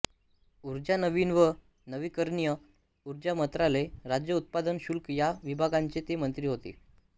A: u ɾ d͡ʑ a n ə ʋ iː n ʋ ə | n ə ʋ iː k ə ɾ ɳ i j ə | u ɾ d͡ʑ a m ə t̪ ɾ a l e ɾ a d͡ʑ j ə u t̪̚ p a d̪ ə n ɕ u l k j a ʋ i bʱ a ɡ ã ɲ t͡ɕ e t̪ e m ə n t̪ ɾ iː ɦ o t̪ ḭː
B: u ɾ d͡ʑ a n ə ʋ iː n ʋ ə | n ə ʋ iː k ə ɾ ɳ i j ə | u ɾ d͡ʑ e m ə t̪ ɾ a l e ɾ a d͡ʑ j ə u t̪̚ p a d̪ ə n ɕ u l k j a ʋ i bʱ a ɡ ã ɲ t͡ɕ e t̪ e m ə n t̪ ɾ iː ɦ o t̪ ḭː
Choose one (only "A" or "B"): A